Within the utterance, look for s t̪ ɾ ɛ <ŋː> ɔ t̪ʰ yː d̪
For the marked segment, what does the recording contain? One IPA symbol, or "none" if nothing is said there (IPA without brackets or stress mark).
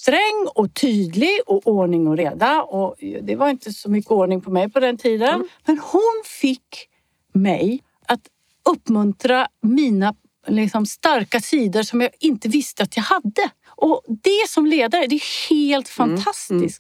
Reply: ŋː